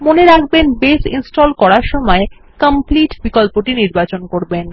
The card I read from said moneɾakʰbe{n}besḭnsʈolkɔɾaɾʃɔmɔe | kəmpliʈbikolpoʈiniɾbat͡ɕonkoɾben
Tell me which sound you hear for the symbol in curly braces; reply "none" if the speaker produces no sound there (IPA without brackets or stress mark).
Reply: n